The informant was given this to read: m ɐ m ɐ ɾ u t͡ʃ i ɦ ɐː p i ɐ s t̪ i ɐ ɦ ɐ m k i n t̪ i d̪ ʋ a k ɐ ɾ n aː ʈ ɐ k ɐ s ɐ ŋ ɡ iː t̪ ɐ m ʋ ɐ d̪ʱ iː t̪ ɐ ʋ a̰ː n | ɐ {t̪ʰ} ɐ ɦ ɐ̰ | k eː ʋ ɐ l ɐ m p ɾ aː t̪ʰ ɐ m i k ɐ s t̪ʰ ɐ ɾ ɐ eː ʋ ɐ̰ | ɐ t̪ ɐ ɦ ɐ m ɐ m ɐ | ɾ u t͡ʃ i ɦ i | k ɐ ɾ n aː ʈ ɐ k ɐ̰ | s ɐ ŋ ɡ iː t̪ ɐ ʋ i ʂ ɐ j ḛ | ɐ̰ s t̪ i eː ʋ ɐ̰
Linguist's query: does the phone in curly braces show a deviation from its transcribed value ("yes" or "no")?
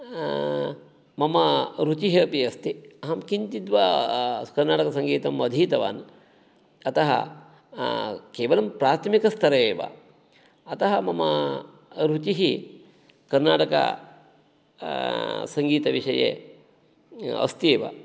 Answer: yes